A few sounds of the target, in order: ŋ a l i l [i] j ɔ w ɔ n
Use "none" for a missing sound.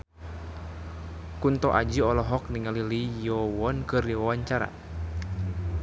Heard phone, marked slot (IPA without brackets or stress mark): i